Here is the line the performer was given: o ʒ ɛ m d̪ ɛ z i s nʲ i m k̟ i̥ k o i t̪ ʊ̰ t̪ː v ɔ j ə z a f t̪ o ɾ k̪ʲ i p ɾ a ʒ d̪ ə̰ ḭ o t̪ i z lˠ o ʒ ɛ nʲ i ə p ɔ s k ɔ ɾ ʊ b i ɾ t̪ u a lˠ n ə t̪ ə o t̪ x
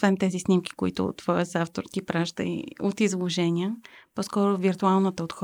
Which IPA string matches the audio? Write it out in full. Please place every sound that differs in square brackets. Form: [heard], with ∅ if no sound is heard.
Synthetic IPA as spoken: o [v] ɛ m [t̪] ɛ z i s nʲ i m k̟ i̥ k o i t̪ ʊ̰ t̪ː v ɔ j ə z a f t̪ o ɾ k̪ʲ i p ɾ a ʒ d̪ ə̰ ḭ o t̪ i z lˠ o ʒ ɛ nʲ i ə p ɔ s k ɔ ɾ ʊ [v] i ɾ t̪ u a lˠ n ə t̪ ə o t̪ x